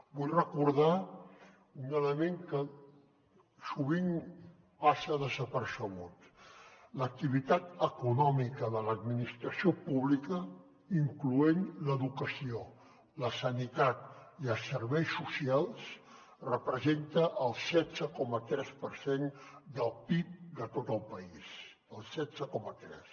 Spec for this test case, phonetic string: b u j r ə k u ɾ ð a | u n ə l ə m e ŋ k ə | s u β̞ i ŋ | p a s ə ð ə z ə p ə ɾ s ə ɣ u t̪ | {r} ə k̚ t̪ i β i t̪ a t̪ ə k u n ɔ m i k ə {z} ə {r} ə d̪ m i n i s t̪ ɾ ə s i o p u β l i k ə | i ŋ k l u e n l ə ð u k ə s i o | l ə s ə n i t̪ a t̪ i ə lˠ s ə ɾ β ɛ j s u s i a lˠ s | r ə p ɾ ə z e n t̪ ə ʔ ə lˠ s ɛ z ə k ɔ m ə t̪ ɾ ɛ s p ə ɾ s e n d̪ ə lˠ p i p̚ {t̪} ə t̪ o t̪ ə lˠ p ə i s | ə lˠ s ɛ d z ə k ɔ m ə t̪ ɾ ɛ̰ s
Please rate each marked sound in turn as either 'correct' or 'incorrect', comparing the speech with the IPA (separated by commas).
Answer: incorrect, incorrect, incorrect, incorrect